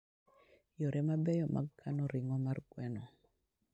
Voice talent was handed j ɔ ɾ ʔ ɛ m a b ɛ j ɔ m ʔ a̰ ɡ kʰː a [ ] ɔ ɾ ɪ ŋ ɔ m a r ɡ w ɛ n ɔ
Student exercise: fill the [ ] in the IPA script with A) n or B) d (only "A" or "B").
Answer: A